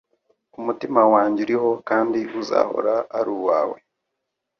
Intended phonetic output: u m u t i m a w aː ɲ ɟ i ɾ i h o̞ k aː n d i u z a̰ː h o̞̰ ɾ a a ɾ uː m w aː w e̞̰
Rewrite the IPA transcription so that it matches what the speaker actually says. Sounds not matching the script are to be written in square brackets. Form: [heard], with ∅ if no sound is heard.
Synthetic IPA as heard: u m u t i m a w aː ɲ ɟ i ɾ i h o̞ k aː n d i u z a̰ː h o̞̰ ɾ a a ɾ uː [∅] w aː w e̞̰